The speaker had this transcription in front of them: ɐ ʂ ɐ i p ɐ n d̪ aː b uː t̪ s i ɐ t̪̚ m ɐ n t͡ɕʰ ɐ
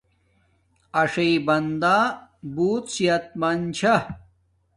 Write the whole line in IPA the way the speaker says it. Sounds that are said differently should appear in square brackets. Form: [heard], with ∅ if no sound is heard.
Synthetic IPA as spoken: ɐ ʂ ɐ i [b] ɐ n d̪ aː b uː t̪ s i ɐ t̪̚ m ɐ n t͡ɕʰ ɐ